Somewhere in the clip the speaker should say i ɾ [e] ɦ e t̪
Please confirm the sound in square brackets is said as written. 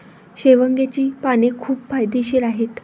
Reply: no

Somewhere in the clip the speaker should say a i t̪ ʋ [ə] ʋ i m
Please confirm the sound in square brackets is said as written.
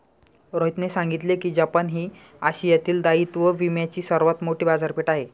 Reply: yes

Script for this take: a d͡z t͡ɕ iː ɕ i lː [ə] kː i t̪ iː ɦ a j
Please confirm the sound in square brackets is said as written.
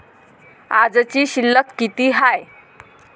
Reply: yes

